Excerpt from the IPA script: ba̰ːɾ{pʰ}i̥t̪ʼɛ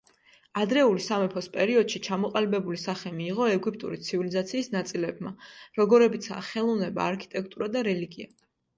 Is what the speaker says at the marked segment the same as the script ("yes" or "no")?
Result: no